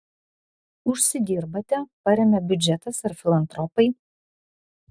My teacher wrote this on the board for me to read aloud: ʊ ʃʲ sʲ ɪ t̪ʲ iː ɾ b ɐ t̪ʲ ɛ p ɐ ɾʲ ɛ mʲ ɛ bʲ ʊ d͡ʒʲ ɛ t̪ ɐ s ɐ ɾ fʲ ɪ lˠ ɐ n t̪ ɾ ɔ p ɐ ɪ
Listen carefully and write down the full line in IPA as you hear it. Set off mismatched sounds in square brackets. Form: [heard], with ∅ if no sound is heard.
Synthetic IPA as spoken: ʊ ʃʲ sʲ ɪ [d̪ʲ] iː ɾ b ɐ t̪ʲ ɛ p ɐ ɾʲ ɛ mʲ ɛ bʲ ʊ d͡ʒʲ ɛ t̪ ɐ s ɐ ɾ fʲ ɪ lˠ ɐ n t̪ ɾ ɔ p ɐ ɪ